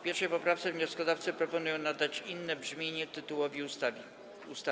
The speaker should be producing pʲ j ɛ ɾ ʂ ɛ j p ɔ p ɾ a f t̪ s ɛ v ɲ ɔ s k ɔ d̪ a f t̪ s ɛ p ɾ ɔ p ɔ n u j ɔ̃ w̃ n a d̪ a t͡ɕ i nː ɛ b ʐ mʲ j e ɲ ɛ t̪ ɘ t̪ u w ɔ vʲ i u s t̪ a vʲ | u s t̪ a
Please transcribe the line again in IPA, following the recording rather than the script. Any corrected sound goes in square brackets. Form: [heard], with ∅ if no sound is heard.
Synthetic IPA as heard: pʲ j ɛ ɾ ʂ ɛ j p ɔ p ɾ a f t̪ s ɛ v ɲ ɔ s k ɔ d̪ a f t̪ s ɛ p ɾ ɔ p ɔ n u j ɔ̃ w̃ n a d̪ a t͡ɕ i nː ɛ b ʐ mʲ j e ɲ ɛ t̪ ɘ t̪ u w ɔ vʲ i u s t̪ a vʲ | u s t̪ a